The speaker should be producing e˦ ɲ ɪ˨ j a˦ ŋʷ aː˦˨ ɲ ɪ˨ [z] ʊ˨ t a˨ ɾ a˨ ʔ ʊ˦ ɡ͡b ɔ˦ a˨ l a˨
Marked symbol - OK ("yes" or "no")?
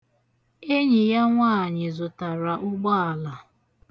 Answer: yes